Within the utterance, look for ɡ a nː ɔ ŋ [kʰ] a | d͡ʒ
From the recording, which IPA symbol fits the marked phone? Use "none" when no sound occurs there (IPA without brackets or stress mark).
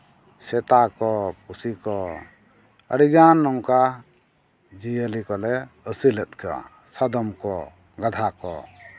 k